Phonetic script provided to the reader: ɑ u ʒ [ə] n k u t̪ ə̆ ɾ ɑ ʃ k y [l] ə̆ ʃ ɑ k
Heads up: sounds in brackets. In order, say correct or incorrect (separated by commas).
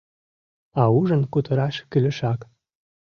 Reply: correct, correct